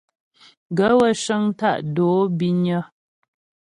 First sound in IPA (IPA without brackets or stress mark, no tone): ɡ